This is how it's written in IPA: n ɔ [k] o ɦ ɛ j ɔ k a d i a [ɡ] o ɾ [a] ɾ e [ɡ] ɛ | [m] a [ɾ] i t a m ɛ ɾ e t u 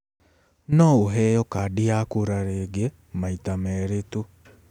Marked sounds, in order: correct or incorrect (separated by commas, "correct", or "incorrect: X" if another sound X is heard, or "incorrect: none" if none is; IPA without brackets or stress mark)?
incorrect: none, incorrect: k, correct, correct, correct, incorrect: none